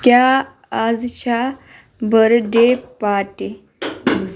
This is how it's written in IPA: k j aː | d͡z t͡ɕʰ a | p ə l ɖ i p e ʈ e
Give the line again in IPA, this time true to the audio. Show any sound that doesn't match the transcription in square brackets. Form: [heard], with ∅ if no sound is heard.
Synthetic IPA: k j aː | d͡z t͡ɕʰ a | [b] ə [ɾ] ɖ [e] p [a] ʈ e

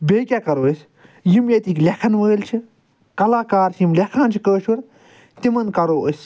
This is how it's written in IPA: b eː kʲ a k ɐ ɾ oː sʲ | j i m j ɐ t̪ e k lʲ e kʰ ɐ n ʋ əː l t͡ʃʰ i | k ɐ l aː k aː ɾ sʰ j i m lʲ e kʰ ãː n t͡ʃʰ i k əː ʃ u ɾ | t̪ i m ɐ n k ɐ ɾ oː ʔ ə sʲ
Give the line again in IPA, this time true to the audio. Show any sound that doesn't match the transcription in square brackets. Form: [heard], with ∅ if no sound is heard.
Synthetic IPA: b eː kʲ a k ɐ ɾ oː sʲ | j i m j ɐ t̪ [i] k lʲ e kʰ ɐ n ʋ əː l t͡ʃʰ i | k ɐ l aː k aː ɾ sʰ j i m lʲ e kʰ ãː n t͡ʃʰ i k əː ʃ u ɾ | t̪ i m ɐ n k ɐ ɾ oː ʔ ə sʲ

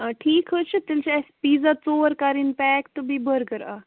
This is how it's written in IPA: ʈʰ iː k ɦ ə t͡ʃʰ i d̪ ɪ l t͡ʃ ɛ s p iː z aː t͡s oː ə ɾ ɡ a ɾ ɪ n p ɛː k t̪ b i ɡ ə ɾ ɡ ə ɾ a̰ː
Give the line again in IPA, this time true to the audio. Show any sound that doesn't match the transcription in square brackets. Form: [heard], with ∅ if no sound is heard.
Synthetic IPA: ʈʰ iː k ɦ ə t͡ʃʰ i [t̪] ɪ l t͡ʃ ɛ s p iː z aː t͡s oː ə ɾ [k] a ɾ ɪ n p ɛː k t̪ b i [b] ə ɾ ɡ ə ɾ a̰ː

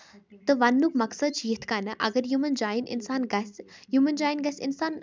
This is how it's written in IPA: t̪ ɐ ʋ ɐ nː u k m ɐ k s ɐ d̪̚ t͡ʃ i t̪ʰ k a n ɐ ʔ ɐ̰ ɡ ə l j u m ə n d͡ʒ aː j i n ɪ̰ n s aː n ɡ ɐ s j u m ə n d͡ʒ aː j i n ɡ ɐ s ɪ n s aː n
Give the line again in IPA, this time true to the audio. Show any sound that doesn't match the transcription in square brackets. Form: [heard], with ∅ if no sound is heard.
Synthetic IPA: t̪ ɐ ʋ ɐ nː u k m ɐ k s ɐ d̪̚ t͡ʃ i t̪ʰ k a n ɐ ʔ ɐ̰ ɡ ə [ɾ] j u m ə n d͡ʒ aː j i n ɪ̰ n s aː n ɡ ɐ s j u m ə n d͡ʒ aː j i n ɡ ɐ s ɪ n s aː n

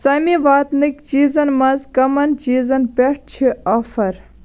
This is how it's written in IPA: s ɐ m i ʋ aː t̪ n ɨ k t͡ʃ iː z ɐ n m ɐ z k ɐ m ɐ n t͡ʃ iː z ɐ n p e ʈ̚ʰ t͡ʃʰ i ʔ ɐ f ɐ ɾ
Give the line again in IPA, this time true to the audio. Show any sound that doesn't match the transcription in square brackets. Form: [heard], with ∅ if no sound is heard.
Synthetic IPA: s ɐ m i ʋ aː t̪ n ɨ k t͡ʃ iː z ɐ n m ɐ z k ɐ m ɐ n t͡ʃ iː z ɐ n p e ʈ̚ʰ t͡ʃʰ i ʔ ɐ f ɐ ɾ

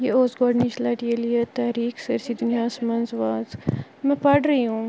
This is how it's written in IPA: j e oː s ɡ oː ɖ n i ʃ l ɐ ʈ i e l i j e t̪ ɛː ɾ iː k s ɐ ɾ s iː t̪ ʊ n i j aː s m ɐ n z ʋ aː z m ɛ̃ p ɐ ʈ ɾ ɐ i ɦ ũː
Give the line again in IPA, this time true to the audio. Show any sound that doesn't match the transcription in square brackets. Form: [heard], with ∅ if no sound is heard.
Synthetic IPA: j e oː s ɡ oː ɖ n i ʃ l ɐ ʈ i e l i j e t̪ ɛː ɾ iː k s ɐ ɾ s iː [d̪] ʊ n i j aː s m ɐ n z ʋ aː z m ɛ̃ p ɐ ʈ ɾ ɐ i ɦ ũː

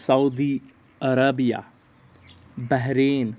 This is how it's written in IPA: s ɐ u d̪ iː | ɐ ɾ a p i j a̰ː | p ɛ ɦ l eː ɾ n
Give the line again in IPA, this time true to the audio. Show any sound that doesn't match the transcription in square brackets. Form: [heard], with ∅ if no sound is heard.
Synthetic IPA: s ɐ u d̪ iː | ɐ ɾ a [b] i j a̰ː | [b] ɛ ɦ [ɾ] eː [∅] n

